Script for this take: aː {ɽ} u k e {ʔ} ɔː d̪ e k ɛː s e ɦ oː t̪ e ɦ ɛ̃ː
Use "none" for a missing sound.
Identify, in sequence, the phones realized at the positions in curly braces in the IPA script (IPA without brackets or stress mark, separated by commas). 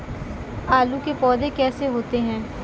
l, p